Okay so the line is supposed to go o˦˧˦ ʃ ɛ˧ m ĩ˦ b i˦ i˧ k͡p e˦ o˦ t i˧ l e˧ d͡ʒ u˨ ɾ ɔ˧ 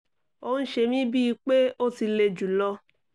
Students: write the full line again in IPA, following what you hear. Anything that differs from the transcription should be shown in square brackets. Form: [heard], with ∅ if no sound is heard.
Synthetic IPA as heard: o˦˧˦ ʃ [e˧] m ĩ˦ b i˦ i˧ k͡p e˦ o˦ t i˧ l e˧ d͡ʒ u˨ [l] ɔ˧